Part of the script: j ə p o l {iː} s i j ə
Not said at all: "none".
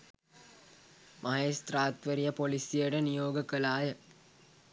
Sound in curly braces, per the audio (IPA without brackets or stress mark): i